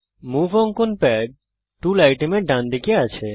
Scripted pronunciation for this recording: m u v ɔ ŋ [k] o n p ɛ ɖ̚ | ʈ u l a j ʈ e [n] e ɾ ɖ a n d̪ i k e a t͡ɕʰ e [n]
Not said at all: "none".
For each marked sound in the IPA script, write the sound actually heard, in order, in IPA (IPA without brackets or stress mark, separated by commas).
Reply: k, m, none